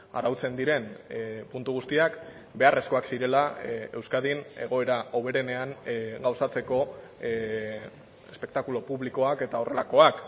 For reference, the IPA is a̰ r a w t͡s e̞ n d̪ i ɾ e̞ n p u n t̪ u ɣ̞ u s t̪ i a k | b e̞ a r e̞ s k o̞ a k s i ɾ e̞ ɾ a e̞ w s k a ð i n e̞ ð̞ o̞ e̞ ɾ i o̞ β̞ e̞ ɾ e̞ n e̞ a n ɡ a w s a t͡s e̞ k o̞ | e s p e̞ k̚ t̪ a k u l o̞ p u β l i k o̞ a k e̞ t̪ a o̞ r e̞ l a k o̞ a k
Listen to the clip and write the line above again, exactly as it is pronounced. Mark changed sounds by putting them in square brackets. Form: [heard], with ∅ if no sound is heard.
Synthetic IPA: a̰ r a w t͡s e̞ n d̪ i ɾ e̞ n p u n t̪ u ɣ̞ u s t̪ i a k | b e̞ a r e̞ s k o̞ a k s i ɾ e̞ [l] a e̞ w s k a ð i n e̞ [ɣ̞] o̞ e̞ ɾ [a] o̞ β̞ e̞ ɾ e̞ n e̞ a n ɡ a w s a t͡s e̞ k o̞ | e s p e̞ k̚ t̪ a k u l o̞ p u β l i k o̞ a k e̞ t̪ a o̞ r e̞ l a k o̞ a k